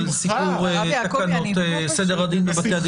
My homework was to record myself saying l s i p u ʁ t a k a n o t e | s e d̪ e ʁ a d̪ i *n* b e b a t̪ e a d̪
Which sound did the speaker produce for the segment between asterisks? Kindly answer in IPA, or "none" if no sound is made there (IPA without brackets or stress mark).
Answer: n